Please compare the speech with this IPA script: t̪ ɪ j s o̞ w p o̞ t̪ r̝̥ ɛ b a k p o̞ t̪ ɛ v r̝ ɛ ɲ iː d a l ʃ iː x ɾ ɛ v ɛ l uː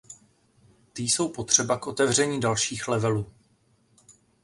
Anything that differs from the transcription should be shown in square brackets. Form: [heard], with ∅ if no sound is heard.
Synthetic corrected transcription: t̪ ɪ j s o̞ w p o̞ t̪ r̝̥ ɛ b a k [ʔ] o̞ t̪ ɛ v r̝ ɛ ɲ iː d a l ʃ iː x [l] ɛ v ɛ l uː